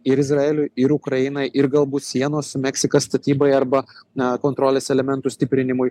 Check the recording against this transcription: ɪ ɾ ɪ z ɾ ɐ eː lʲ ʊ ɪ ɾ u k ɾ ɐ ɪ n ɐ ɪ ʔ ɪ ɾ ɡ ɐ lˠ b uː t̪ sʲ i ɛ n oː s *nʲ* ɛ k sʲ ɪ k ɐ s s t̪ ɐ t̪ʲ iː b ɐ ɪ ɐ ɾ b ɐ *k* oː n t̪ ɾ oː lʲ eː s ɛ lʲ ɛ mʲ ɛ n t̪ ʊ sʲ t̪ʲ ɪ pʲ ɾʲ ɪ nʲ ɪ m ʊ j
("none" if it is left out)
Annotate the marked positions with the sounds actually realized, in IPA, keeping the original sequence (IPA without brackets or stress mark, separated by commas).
mʲ, k